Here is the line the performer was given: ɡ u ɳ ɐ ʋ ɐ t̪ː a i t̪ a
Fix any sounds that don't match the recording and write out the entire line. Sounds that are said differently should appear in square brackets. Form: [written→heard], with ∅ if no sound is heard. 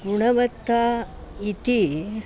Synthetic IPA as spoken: ɡ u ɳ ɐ ʋ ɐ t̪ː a i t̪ [a→i]

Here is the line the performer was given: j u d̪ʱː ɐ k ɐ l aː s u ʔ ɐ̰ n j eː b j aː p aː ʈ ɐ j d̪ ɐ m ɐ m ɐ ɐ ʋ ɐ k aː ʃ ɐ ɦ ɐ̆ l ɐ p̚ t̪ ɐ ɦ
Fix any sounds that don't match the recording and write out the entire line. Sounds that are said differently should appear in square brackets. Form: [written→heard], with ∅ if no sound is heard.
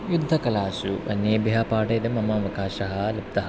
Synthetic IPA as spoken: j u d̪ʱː ɐ k ɐ l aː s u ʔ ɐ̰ n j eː b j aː p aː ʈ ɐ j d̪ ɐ m ɐ m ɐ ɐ ʋ ɐ k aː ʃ ɐ ɦ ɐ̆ l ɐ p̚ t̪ ɐ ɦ

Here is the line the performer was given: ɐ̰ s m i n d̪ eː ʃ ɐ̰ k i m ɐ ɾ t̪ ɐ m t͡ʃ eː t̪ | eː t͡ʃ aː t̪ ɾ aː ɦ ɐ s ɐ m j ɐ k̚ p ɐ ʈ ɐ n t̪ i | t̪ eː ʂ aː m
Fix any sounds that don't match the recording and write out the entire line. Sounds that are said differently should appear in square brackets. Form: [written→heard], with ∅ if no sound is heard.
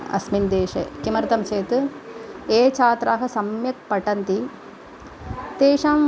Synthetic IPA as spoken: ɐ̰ s m i n d̪ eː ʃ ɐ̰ k i m ɐ ɾ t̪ ɐ m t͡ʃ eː t̪ | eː t͡ʃ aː t̪ ɾ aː ɦ ɐ s ɐ m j ɐ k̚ p ɐ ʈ ɐ n t̪ i | t̪ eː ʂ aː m

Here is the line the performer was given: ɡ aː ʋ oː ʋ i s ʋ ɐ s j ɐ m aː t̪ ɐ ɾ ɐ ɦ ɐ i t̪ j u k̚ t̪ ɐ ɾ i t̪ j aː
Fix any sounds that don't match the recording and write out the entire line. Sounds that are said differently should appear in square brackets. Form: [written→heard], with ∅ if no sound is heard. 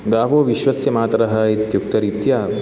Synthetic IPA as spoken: ɡ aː ʋ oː ʋ i [s→ʃ] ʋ ɐ s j ɐ m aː t̪ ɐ ɾ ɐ ɦ ɐ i t̪ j u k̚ t̪ ɐ ɾ i t̪ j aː

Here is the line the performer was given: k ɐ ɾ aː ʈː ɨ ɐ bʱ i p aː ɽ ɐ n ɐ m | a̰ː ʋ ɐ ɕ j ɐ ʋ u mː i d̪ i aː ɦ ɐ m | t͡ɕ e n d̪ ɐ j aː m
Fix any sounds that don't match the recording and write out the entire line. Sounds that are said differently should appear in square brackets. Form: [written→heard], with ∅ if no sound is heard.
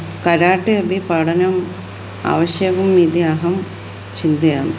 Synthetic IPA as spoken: k ɐ ɾ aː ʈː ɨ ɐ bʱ i p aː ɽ ɐ n ɐ m | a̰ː ʋ ɐ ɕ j ɐ ʋ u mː i d̪ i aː ɦ ɐ m | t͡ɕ [e→i] n d̪ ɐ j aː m

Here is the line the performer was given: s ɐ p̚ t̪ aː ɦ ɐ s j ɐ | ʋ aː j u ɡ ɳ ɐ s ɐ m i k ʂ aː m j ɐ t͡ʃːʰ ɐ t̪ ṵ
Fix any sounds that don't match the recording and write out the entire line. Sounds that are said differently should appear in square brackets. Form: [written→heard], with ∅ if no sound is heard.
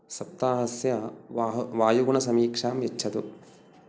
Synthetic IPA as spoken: s ɐ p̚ t̪ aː ɦ ɐ s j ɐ | ʋ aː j u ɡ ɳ ɐ s ɐ m [i→iː] k ʂ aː m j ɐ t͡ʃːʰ ɐ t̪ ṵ

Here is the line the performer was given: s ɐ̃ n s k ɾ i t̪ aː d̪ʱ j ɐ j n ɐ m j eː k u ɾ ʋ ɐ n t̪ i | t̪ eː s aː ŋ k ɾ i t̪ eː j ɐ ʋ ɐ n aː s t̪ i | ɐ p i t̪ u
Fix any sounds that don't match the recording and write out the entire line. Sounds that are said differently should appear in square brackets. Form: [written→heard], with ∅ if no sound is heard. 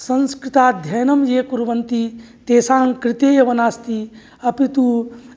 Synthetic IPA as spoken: s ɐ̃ n s k ɾ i t̪ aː d̪ʱ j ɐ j n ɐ m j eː k u ɾ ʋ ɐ n t̪ i | t̪ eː s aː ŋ k ɾ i t̪ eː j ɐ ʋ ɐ n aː s t̪ i | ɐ p i t̪ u

